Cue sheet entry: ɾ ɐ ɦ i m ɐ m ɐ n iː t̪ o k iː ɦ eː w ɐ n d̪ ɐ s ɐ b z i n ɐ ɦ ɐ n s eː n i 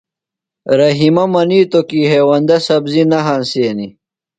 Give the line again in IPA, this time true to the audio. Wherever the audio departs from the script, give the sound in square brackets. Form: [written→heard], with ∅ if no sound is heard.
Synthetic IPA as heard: ɾ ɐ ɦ i m ɐ m ɐ n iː t̪ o k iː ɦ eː w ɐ n d̪ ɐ s ɐ b z i n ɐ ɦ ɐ n s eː n i